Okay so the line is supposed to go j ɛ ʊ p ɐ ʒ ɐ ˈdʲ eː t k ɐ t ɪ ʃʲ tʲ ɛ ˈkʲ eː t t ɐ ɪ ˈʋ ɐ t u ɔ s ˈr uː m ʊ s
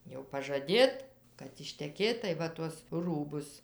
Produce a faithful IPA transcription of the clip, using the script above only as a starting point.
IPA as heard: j ɛ ʊ p ɐ ʒ ɐ ˈdʲ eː t k ɐ t ɪ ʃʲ tʲ ɛ ˈkʲ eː t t ɐ ɪ ˈʋ ɐ t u ɔ s ˈr uː b ʊ s